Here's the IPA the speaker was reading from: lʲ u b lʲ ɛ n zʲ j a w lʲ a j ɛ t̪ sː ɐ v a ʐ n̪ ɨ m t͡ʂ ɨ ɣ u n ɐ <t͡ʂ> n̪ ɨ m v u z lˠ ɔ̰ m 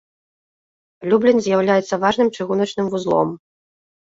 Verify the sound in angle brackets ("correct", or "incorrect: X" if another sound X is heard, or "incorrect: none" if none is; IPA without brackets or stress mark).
correct